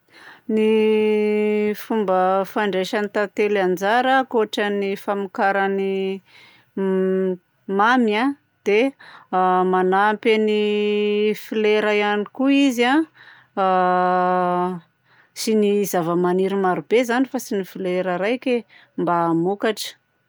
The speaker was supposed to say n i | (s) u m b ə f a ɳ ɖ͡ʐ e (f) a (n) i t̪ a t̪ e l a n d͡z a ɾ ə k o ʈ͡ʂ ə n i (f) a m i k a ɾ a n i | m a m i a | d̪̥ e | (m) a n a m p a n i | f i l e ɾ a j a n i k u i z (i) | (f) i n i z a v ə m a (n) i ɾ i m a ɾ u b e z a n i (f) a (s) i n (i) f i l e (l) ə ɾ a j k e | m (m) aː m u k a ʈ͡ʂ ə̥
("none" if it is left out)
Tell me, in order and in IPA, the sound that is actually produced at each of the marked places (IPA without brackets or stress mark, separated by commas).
f, ʃ, n, f, m, a, s, n, f, s, i, ɾ, b